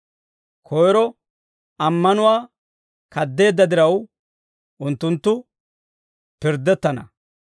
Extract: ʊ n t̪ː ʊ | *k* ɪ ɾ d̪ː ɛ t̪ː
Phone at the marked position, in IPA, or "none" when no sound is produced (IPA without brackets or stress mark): p